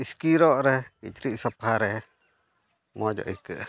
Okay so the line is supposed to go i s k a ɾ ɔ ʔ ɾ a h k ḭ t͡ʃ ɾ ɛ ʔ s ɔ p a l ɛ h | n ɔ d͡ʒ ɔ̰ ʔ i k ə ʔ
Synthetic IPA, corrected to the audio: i s k i ɾ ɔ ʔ ɾ ɛ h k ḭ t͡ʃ ɾ i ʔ s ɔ p a ɾ ɛ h | m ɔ d͡ʒ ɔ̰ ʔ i k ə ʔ